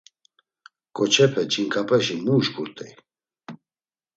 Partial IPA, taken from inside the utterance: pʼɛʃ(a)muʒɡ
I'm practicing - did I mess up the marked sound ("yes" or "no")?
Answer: yes